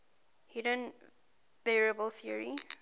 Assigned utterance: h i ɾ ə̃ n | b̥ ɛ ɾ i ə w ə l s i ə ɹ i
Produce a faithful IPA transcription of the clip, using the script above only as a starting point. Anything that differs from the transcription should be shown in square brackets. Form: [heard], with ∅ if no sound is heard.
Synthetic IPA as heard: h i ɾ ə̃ n | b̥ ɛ [ɹ] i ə [b] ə l [θ] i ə ɹ i